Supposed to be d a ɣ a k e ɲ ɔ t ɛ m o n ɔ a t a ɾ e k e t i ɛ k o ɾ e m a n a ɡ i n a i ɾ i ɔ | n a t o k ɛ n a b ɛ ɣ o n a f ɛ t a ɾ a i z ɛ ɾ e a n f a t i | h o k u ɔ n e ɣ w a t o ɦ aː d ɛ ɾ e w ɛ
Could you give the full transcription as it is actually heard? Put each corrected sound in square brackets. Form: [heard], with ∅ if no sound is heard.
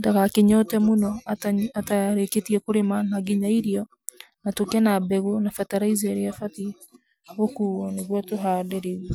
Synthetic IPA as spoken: d a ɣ a k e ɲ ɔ t ɛ m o n ɔ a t a ɾ e k e t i ɛ k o ɾ e m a n a ɡ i [ɲ] a i ɾ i ɔ | n a t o k ɛ n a b ɛ ɣ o n a f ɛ t a ɾ a i z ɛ ɾ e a [∅] f a t i | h o k u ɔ n e ɣ w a t o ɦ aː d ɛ ɾ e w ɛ